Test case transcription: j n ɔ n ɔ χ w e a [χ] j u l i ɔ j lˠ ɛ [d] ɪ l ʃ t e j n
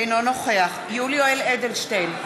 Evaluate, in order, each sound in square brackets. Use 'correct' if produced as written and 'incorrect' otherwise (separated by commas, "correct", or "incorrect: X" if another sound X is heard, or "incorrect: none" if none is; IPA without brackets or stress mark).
correct, correct